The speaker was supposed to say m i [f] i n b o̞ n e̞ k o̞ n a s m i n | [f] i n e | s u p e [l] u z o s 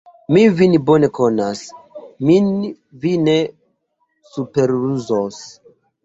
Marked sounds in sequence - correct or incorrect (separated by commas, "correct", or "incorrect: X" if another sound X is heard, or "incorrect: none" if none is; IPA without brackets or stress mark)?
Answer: incorrect: v, incorrect: v, incorrect: ɾ